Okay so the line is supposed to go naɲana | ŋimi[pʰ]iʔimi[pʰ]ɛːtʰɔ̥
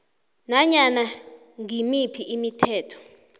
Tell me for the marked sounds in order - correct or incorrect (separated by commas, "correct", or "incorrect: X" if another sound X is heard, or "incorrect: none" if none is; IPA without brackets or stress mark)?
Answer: correct, incorrect: tʰ